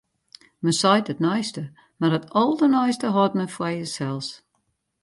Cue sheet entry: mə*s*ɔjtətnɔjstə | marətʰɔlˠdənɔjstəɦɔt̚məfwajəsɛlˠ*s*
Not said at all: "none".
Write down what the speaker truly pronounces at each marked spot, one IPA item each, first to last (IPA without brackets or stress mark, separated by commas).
s, s